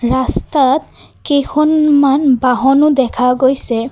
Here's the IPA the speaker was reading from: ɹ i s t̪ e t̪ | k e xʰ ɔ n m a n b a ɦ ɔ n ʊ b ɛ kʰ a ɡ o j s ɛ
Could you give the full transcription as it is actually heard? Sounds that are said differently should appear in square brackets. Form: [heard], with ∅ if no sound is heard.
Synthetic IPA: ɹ [a] s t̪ [a] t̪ | k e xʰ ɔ n m a n b a ɦ ɔ n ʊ [d] ɛ kʰ a ɡ o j s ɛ